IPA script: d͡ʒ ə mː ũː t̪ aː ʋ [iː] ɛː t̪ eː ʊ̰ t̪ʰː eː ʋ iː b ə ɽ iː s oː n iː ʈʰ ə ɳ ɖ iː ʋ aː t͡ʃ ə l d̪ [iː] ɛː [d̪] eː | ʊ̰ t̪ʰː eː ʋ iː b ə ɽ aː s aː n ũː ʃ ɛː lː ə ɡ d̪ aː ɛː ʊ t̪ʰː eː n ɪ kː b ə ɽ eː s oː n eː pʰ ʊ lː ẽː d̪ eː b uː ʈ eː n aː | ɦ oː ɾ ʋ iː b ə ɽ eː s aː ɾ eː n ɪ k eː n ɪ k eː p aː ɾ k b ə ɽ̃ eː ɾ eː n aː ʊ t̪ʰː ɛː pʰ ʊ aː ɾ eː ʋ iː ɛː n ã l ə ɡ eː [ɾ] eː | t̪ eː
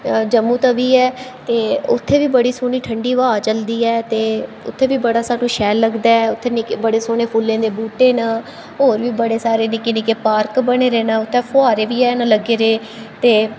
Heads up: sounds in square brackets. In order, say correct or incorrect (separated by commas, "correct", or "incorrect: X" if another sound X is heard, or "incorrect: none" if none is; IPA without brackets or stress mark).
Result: correct, correct, incorrect: t̪, correct